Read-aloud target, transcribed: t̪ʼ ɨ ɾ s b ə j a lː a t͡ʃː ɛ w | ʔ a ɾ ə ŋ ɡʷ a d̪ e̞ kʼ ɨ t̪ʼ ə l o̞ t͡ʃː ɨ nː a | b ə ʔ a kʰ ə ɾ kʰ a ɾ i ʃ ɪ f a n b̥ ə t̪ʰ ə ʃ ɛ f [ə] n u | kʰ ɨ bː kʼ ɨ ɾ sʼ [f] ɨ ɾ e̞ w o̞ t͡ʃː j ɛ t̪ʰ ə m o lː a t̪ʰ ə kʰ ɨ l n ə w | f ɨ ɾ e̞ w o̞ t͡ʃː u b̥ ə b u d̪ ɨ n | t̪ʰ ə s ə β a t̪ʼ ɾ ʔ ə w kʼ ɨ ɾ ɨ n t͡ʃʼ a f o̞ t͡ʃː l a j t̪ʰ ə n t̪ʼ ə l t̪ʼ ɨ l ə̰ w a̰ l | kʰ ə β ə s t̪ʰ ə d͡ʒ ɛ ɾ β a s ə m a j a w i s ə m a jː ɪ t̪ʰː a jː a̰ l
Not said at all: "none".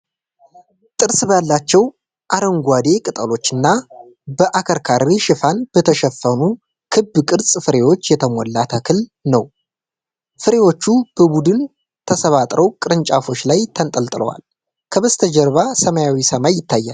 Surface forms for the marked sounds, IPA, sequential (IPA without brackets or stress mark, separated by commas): ə, f